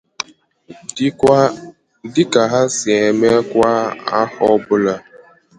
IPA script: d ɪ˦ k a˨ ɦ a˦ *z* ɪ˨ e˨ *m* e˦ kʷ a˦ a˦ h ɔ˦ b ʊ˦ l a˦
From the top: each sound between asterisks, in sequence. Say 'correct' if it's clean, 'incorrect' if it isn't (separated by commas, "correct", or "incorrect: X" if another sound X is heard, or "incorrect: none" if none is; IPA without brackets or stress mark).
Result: incorrect: s, correct